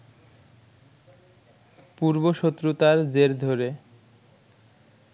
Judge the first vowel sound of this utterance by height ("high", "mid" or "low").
high